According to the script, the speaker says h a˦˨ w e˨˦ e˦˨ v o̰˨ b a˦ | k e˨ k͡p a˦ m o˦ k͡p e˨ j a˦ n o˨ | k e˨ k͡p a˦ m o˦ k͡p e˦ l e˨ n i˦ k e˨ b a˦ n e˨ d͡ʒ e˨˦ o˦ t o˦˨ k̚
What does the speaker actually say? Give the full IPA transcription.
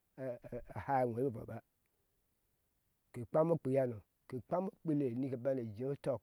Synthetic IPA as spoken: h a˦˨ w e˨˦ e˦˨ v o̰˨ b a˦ | k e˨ k͡p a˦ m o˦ k͡p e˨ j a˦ n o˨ | k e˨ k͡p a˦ m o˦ k͡p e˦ l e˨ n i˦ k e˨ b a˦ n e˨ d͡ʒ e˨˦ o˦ t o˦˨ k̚